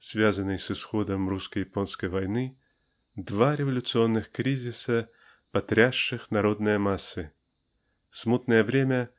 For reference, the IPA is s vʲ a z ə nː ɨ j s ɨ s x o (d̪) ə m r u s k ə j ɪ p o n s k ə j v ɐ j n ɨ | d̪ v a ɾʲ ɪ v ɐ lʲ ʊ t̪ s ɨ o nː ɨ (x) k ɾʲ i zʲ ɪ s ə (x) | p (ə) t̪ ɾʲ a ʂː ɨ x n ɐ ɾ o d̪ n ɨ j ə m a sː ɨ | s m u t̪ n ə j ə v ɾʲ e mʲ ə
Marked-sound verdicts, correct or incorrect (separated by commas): correct, correct, incorrect, incorrect